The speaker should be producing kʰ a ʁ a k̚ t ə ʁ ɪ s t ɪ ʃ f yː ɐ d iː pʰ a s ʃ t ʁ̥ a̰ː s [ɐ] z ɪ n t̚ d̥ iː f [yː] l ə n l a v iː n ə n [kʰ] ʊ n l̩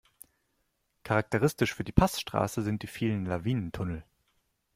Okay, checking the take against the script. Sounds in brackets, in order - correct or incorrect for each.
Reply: incorrect: ə, incorrect: iː, incorrect: tʰ

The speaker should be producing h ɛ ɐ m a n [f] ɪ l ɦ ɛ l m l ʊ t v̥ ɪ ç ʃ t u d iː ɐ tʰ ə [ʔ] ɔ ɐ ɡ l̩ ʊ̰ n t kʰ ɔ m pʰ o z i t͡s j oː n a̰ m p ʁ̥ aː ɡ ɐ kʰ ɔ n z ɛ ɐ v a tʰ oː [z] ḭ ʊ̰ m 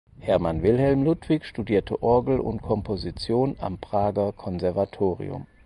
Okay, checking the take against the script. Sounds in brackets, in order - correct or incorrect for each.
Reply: incorrect: v, correct, incorrect: ʁ

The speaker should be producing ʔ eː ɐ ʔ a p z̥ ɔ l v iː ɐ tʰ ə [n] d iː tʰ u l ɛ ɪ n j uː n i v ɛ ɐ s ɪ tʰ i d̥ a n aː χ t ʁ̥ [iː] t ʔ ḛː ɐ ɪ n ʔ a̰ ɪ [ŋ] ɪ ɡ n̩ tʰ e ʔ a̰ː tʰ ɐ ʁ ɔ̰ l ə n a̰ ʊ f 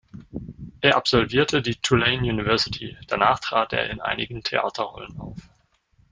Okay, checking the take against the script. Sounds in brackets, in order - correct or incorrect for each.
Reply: incorrect: none, incorrect: aː, incorrect: n

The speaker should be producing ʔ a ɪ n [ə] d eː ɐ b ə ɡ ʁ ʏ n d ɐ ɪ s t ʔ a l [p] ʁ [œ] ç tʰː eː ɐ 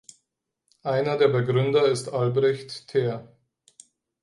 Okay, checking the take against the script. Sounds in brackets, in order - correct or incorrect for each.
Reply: incorrect: ɐ, incorrect: b, incorrect: ɛ

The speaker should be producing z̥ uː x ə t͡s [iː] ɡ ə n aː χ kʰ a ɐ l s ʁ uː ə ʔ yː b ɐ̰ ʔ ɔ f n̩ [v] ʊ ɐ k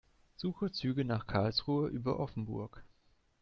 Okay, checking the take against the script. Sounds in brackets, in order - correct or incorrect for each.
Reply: incorrect: yː, incorrect: b

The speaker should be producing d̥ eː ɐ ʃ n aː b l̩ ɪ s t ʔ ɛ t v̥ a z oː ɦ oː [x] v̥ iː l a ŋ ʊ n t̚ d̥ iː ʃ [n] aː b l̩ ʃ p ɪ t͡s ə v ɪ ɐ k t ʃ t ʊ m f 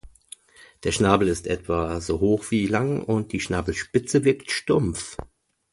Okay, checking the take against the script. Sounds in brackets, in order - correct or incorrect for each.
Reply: correct, correct

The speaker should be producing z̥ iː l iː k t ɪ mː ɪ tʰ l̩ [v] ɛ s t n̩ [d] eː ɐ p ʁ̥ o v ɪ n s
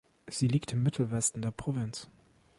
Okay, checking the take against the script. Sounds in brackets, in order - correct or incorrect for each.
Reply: correct, correct

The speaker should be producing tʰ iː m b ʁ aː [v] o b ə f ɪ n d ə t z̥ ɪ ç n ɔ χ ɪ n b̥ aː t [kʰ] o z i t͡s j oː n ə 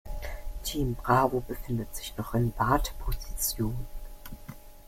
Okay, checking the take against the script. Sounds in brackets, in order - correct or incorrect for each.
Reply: correct, incorrect: pʰ

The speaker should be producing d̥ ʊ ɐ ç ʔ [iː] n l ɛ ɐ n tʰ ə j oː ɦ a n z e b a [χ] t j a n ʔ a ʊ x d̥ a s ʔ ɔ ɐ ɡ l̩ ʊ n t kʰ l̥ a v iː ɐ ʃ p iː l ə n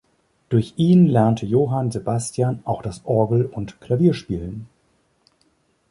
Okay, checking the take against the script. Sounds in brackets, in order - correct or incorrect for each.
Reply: correct, incorrect: s

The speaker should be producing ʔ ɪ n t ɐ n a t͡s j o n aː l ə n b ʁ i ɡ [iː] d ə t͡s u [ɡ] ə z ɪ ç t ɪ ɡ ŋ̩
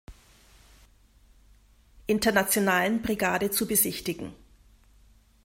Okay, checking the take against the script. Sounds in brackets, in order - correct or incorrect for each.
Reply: incorrect: aː, incorrect: b

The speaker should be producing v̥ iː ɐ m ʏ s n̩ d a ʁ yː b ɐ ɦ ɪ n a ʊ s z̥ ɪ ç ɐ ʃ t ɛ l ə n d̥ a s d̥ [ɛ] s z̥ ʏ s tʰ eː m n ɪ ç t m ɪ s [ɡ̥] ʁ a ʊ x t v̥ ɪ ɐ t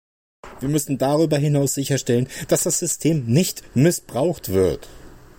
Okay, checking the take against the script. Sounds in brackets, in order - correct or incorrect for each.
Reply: incorrect: a, incorrect: b̥

